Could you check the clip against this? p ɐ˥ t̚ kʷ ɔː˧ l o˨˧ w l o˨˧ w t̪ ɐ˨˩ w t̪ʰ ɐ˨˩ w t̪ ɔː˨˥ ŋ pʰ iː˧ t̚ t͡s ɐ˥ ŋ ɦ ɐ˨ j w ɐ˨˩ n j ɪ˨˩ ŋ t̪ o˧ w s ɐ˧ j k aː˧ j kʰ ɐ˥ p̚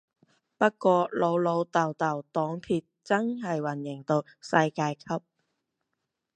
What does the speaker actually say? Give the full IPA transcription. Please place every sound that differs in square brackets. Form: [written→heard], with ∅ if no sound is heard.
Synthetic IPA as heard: p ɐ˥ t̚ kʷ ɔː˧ l o˨˧ w l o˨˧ w t̪ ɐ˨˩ w [t̪ʰ→t̪] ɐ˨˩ w t̪ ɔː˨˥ ŋ pʰ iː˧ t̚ t͡s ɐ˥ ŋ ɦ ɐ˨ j w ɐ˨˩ n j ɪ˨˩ ŋ t̪ o˧ w s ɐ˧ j k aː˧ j kʰ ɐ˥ p̚